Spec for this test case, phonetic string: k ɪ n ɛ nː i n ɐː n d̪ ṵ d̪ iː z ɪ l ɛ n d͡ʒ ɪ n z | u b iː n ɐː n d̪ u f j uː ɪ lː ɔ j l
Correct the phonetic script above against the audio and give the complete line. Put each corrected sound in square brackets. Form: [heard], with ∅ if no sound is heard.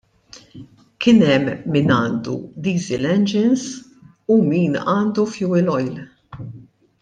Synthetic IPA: k ɪ n ɛ [mː] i n ɐː n d̪ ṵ d̪ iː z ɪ l ɛ n d͡ʒ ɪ n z | u [m] iː n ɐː n d̪ u f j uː ɪ [l] ɔ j l